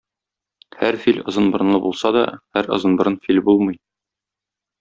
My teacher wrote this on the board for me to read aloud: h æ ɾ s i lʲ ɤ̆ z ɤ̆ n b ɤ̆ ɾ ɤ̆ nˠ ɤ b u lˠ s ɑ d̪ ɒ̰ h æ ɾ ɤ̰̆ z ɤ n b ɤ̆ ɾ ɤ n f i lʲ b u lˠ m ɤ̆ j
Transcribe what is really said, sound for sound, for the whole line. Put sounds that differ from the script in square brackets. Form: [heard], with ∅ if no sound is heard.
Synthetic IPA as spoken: h æ ɾ [f] i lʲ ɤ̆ z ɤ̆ n b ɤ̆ ɾ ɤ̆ nˠ ɤ b u lˠ s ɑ d̪ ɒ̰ h æ ɾ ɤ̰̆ z ɤ n b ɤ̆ ɾ ɤ n f i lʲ b u lˠ m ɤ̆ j